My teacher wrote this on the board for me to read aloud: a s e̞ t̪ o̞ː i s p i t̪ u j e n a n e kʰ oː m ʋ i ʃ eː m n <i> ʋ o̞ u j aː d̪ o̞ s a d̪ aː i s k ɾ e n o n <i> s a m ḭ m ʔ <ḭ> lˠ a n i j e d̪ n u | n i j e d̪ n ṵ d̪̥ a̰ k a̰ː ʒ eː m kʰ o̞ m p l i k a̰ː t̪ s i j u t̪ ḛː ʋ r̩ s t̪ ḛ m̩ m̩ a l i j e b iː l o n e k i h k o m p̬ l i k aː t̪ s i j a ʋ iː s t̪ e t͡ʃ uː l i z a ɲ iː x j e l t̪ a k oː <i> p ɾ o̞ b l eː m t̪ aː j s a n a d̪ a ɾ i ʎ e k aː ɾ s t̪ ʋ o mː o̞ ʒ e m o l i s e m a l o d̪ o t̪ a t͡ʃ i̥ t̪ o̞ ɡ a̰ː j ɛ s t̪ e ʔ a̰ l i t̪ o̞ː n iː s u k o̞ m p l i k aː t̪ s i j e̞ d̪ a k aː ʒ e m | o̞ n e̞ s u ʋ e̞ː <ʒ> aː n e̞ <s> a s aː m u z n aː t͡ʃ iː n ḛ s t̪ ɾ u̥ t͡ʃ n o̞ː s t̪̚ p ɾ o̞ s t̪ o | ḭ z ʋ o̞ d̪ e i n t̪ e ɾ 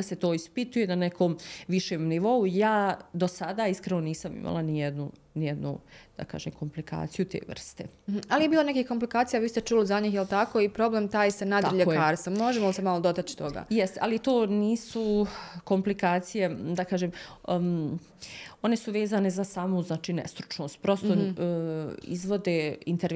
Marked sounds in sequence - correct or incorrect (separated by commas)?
correct, incorrect, incorrect, correct, incorrect, incorrect